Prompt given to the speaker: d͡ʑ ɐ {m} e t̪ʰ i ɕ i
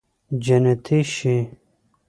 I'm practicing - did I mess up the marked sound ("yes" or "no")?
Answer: yes